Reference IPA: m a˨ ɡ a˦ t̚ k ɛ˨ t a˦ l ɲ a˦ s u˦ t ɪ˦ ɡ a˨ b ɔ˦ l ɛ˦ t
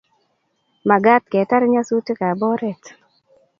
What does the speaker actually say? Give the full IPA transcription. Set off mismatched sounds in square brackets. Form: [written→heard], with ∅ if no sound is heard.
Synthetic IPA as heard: m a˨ ɡ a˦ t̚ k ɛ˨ t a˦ [l→ɾ] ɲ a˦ s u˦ t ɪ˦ [ɡ→k] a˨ b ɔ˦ [l→ɾ] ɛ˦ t

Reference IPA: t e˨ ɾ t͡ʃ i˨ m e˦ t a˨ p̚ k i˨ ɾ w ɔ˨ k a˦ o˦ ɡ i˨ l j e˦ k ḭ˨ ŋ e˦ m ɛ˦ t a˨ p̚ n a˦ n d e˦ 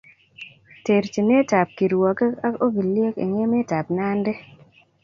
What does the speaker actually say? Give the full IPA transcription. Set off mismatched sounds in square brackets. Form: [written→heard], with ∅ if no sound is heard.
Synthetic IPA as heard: t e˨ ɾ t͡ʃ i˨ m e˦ t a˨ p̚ k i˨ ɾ w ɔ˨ k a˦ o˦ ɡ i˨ l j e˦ k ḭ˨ ŋ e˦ m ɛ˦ t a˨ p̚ n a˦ n d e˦

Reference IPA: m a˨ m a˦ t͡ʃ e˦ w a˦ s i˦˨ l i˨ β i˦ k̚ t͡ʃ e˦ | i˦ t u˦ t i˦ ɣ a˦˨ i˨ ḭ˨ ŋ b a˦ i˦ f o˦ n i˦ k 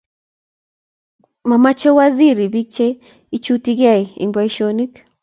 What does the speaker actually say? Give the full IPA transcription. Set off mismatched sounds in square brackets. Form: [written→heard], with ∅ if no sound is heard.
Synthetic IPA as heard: m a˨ m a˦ t͡ʃ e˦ w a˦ [s→z] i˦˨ [l→ɾ] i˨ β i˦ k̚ t͡ʃ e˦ | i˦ [t→t͡ʃ] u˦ t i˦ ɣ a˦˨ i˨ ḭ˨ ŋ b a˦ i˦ [f→ʃ] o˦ n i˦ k

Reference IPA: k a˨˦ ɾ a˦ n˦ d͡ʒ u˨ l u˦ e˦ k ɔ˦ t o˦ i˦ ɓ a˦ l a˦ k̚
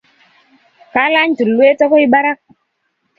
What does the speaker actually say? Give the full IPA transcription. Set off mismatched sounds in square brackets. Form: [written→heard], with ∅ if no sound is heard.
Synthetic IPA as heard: k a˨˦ [ɾ→l] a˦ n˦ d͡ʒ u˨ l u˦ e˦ [k→t] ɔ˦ [t→k] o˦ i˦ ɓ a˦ [l→ɾ] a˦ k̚

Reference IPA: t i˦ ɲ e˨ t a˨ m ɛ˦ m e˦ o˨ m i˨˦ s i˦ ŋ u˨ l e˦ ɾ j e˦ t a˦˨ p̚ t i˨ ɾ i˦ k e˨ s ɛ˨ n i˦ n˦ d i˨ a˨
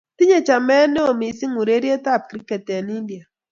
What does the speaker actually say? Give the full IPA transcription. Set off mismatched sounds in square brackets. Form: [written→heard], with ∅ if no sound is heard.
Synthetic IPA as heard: t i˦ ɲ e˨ [t→t͡ʃ] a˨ m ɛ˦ [m→n] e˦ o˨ m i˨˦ s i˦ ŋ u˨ [l→ɾ] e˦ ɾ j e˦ t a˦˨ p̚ [t→k] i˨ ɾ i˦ k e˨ [s→t] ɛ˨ n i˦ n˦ d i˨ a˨

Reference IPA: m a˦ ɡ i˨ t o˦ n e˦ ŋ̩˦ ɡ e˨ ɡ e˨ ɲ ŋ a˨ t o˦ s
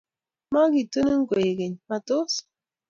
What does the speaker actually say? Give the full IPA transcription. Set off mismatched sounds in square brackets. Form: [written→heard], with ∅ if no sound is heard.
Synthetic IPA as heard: m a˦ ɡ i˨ t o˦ n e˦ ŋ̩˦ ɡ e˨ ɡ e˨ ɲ [ŋ→m] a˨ t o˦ s

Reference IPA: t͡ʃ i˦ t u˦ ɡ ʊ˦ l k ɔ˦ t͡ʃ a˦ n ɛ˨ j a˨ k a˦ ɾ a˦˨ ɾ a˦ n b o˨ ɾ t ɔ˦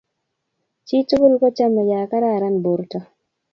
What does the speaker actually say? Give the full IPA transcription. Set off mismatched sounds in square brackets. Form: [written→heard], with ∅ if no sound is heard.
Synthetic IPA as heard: t͡ʃ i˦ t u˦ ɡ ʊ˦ l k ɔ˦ t͡ʃ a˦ [n→m] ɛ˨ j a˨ k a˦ ɾ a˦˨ ɾ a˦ n b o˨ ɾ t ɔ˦

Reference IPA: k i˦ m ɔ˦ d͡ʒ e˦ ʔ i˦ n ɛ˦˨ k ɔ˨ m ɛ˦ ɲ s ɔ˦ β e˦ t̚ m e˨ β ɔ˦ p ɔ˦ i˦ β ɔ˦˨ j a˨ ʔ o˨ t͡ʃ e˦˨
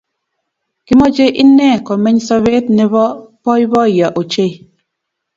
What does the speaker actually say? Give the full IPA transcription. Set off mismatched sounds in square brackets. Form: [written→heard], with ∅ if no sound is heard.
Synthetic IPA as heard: k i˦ m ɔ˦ d͡ʒ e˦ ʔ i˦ n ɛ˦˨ k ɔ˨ m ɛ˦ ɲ s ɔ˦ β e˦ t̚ [m→n] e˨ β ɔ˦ p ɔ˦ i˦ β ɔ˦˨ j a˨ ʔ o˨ t͡ʃ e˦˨

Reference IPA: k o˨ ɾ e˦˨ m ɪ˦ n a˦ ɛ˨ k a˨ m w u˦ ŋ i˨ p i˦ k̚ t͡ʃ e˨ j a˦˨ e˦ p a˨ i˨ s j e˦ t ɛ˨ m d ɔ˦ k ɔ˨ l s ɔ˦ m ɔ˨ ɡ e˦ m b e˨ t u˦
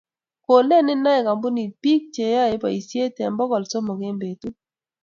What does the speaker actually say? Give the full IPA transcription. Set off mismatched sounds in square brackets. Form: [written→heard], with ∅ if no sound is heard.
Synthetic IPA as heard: k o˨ [ɾ→l] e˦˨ [m→n] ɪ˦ n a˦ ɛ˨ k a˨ m [w→b] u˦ [ŋ→n] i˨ p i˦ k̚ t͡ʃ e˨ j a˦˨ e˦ p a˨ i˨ s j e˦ t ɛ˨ m [d→b] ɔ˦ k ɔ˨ l s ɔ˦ m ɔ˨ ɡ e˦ m b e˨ t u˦

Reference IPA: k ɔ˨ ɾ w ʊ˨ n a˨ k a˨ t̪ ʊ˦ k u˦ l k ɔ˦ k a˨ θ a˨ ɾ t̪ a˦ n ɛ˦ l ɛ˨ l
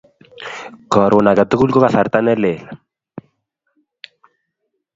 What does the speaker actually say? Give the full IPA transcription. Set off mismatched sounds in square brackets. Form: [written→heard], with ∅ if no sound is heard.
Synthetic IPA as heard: k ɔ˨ ɾ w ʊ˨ n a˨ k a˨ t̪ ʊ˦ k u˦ l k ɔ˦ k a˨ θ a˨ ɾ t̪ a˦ n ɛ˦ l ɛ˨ l

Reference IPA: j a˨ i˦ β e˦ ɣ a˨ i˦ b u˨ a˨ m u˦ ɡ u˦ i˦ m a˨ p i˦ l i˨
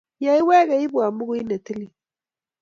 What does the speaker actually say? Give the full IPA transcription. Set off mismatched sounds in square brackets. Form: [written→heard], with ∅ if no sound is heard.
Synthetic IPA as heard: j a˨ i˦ [β→w] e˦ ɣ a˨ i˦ b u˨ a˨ m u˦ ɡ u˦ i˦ [m→n] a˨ [p→t] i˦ l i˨

